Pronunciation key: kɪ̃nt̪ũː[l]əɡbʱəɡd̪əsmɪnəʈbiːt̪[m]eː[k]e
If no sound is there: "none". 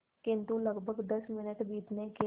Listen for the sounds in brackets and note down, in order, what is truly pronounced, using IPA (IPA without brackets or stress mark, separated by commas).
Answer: l, n, k